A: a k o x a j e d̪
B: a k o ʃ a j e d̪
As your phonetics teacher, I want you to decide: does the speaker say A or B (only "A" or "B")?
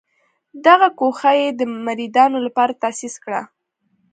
A